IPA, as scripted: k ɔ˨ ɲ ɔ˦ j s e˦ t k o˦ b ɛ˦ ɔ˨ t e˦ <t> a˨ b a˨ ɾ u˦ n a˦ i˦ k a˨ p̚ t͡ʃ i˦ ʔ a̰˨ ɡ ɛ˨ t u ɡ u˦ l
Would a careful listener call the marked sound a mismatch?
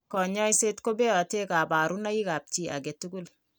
yes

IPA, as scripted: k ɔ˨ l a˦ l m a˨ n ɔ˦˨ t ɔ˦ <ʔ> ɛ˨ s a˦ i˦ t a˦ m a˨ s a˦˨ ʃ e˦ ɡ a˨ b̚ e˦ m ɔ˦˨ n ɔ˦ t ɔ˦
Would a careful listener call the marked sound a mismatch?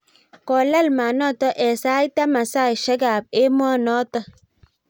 no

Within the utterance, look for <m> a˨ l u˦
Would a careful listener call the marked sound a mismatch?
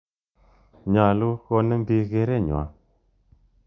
yes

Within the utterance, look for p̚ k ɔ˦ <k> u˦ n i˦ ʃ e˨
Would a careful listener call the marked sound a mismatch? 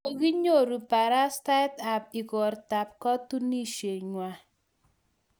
yes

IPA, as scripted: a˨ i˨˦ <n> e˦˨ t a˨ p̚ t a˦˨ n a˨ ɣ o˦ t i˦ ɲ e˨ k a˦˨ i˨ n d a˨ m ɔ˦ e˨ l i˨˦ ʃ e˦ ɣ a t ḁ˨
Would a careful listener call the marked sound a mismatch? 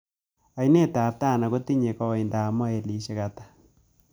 no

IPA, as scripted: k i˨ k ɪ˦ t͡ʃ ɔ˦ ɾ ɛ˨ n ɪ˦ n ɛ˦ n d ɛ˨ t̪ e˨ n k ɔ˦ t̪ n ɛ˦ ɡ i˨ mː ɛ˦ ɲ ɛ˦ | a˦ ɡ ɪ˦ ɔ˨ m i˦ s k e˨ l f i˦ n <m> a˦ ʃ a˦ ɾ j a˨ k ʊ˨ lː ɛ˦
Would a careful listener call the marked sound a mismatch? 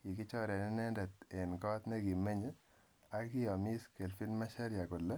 no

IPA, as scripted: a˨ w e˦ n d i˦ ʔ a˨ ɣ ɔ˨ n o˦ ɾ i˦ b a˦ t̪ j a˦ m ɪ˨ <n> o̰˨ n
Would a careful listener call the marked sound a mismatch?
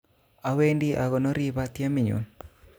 yes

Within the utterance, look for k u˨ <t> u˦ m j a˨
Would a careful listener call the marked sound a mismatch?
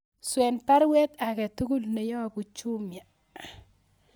yes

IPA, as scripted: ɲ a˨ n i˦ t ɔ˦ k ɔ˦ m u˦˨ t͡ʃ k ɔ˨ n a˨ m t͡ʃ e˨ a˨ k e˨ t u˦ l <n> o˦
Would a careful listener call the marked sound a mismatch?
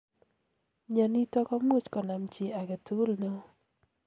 no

